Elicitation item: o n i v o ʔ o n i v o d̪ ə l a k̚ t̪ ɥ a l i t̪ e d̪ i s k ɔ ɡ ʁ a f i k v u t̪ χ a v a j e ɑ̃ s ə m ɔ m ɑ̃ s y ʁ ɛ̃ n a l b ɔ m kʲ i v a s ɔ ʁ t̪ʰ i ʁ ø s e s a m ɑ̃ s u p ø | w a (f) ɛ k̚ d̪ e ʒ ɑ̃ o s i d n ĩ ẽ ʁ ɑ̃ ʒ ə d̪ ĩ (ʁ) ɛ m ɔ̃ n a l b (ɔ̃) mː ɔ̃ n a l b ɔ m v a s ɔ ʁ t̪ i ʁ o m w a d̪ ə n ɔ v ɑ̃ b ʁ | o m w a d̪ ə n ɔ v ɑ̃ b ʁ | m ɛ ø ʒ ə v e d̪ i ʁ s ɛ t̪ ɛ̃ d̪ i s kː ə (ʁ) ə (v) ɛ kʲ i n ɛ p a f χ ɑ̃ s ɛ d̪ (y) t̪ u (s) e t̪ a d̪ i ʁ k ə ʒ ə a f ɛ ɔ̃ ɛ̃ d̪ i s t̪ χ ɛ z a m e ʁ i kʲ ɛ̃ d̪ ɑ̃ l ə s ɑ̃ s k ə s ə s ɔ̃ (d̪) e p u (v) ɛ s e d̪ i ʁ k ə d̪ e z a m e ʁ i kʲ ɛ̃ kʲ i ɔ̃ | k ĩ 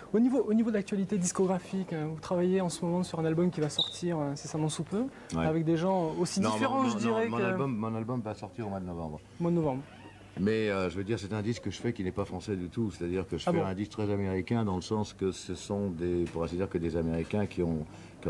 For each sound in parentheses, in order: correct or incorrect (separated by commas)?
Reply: incorrect, correct, incorrect, incorrect, incorrect, correct, correct, correct, incorrect